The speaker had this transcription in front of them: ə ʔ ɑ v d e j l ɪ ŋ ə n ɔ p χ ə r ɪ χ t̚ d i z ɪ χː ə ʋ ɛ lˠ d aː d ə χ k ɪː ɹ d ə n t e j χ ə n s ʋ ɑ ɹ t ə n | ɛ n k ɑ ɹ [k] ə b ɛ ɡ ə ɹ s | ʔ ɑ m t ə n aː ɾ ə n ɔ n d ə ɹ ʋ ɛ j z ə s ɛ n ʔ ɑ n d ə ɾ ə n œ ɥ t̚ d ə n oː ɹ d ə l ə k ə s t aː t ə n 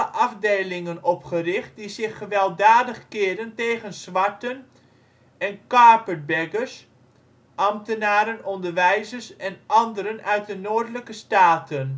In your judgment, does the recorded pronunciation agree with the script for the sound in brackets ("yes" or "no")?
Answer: no